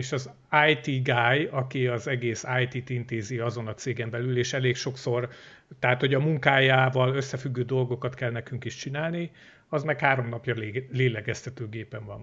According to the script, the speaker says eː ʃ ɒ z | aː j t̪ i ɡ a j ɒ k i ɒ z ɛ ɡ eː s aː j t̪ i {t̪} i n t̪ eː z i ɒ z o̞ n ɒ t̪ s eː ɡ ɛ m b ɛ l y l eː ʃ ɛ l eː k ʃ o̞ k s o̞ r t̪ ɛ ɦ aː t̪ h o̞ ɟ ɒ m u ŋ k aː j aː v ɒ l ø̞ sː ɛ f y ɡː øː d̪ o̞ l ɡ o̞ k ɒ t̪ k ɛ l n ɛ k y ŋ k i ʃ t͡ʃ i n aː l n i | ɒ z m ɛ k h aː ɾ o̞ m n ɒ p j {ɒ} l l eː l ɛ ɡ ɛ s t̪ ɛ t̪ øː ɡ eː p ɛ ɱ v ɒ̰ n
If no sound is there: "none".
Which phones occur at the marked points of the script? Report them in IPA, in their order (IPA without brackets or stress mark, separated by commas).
t̪, ɒ